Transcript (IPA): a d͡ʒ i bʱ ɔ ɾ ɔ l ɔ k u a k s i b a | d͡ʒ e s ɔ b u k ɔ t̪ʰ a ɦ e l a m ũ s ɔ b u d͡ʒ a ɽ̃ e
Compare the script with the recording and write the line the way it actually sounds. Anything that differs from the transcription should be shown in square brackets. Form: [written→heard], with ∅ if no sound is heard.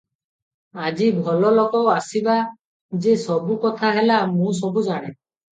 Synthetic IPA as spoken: a d͡ʒ i bʱ ɔ [ɾ→l] ɔ l ɔ k [u→ɔ] a [k→∅] s i b a | d͡ʒ e s ɔ b u k ɔ t̪ʰ a ɦ e l a m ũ s ɔ b u d͡ʒ a ɽ̃ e